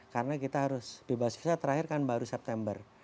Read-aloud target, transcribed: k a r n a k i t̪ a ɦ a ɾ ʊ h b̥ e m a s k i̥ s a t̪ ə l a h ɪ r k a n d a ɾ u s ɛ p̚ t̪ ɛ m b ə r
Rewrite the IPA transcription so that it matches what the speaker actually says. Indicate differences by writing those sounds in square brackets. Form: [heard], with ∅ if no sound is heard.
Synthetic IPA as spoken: k a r n a k i t̪ a ɦ a ɾ ʊ [s] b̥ e [b] a s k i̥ s a t̪ ə [ɾ] a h ɪ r k a n [b] a ɾ u s ɛ p̚ t̪ ɛ m b ə r